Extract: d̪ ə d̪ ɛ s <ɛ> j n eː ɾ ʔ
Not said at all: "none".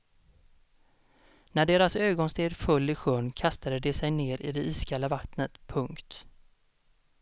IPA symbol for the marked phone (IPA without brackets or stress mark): ɛ